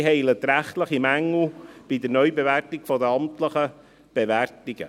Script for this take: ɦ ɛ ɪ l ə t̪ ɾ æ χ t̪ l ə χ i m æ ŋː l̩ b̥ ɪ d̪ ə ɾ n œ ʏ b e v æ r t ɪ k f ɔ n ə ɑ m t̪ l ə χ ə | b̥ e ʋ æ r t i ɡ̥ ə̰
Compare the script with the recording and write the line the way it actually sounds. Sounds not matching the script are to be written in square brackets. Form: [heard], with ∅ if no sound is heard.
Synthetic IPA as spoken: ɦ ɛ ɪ l ə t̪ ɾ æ χ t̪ l ə χ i m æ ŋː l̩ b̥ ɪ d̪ ə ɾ n œ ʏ b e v æ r t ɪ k f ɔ [d] ə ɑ m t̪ l ə χ ə | b̥ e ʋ æ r t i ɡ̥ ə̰